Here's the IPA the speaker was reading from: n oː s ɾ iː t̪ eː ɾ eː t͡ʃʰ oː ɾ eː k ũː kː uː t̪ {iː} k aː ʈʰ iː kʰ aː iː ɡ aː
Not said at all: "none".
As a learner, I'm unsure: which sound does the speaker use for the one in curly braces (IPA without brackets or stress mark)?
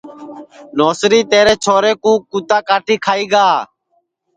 aː